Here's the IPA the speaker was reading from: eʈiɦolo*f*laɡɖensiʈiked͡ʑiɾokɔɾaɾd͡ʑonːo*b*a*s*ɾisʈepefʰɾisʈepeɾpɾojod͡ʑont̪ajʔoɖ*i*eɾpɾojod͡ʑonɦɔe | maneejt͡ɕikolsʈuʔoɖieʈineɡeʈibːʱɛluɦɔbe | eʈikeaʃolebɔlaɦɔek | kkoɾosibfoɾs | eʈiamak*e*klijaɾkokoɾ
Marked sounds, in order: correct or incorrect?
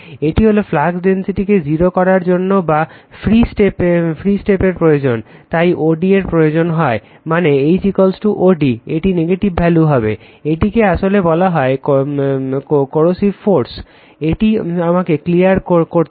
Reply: correct, correct, incorrect, correct, correct

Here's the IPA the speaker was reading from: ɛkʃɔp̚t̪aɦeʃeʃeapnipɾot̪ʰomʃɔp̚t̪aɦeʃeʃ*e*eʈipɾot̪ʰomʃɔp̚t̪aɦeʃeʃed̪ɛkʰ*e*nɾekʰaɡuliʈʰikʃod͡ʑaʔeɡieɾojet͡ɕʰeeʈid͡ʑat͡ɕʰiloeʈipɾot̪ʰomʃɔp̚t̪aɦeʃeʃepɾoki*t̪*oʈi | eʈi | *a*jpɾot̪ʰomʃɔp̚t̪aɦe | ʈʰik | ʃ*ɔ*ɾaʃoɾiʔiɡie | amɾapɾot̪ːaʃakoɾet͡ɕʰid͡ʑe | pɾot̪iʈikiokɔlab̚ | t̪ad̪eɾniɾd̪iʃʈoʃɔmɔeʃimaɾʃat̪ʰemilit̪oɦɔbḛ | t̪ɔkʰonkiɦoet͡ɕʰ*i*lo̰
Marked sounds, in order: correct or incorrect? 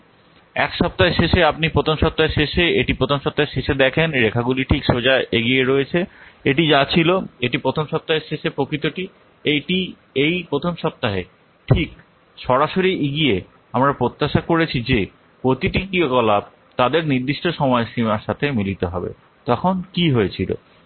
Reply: correct, correct, correct, incorrect, correct, correct

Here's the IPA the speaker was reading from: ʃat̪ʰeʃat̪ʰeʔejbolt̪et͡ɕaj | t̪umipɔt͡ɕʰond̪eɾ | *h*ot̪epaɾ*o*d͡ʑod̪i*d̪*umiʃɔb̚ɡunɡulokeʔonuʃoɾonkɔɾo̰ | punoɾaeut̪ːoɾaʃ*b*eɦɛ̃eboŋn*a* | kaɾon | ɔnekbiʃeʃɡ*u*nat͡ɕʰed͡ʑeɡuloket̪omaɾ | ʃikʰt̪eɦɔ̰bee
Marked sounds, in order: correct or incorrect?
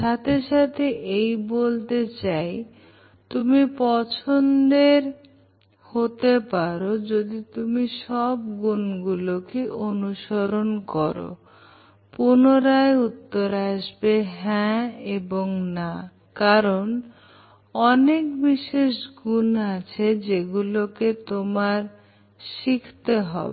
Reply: correct, correct, incorrect, correct, correct, correct

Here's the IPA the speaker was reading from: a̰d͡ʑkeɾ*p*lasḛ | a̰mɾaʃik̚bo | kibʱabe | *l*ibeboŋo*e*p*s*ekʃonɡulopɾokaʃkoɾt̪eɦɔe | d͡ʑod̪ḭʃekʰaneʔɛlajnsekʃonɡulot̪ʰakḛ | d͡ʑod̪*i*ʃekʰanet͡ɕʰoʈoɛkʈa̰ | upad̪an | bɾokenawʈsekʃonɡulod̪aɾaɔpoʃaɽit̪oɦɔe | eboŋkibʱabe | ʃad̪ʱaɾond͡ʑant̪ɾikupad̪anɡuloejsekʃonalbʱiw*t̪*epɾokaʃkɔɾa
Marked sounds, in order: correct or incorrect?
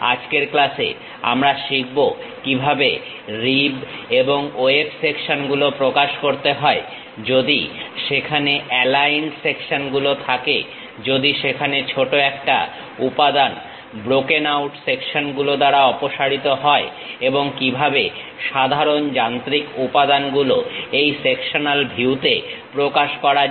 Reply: incorrect, incorrect, correct, correct, correct, correct

